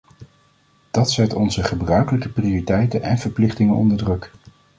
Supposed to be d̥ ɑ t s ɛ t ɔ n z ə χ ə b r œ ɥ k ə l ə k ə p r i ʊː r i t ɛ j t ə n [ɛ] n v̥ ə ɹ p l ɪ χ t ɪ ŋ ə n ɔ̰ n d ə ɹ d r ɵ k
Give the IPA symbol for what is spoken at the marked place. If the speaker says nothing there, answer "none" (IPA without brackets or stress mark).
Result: ɛ